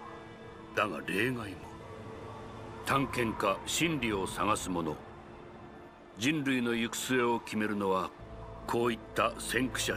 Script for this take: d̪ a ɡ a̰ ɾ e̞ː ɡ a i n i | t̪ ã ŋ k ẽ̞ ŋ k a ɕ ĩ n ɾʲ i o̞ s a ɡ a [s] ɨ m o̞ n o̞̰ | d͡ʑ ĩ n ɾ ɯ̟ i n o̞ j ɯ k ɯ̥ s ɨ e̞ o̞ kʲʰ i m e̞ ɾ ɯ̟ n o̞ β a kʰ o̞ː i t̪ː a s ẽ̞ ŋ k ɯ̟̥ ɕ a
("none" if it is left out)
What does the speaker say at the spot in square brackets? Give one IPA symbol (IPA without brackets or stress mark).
s